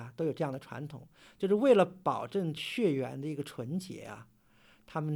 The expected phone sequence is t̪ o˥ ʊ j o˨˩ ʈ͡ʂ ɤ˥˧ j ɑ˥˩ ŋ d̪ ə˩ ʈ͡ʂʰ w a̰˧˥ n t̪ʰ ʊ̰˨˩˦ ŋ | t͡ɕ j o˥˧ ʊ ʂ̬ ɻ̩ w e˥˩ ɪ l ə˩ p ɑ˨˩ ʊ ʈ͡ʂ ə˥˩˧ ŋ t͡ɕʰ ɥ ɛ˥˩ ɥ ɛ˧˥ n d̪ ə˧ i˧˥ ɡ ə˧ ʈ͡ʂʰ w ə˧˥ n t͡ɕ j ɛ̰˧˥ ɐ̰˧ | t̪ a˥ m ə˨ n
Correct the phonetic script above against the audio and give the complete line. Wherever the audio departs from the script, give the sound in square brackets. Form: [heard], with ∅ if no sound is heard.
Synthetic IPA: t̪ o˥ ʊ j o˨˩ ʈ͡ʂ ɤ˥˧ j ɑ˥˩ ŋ d̪ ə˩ ʈ͡ʂʰ w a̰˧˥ n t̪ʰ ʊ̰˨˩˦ ŋ | t͡ɕ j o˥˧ ʊ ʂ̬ ɻ̩ w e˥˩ ɪ l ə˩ p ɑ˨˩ ʊ ʈ͡ʂ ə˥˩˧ ŋ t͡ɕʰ ɥ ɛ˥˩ ɥ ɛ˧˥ n d̪ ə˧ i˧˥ ɡ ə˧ ʈ͡ʂʰ w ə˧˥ n t͡ɕ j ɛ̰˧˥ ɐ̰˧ | [t̪ʰ] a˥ m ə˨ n